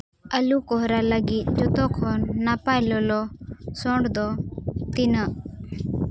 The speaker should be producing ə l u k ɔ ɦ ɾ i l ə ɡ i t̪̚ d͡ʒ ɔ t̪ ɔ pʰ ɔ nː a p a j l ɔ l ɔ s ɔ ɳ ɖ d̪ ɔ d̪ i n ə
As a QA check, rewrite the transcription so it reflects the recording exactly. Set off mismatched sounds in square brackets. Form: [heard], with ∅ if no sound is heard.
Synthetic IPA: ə l u k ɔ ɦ ɾ [a] l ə ɡ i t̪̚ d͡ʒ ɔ t̪ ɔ [kʰ] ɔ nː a p a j l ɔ l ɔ s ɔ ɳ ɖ d̪ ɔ [t̪] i n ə